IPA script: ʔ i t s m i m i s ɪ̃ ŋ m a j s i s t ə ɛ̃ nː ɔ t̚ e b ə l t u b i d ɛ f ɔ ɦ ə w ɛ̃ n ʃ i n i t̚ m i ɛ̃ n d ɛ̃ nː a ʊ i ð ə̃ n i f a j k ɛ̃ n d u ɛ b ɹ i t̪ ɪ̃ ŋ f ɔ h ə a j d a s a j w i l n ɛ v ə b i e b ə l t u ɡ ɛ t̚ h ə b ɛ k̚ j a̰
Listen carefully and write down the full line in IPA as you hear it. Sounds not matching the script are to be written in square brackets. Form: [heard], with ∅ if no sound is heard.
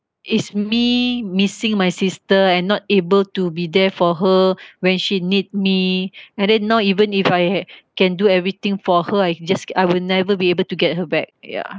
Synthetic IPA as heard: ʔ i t s m i m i s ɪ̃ ŋ m a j s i s t ə ɛ̃ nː ɔ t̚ e b ə l t u b i d ɛ f ɔ ɦ ə w ɛ̃ n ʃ i n i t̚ m i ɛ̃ n d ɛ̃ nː a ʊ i [v] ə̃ n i f a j k ɛ̃ n d u ɛ [v] ɹ i t̪ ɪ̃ ŋ f ɔ h ə a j [d͡ʒ] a s a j w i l n ɛ v ə b i e b ə l t u ɡ ɛ t̚ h ə b ɛ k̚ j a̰